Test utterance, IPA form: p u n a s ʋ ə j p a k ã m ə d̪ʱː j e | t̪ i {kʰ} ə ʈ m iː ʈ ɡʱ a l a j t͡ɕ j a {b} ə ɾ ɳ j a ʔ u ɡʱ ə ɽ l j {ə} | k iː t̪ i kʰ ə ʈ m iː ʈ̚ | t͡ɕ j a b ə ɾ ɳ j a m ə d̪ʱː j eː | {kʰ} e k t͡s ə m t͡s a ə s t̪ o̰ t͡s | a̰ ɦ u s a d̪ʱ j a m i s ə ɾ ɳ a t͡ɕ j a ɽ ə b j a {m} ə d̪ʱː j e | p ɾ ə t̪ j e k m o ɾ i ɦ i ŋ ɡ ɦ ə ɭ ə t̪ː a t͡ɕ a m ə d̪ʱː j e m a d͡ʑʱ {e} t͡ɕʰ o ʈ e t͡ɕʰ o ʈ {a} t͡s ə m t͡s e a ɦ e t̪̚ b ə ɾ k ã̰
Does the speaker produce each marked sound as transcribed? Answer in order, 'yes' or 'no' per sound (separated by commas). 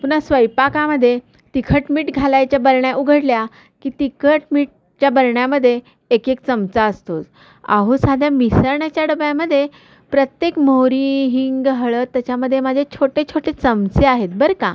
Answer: yes, yes, no, no, yes, yes, no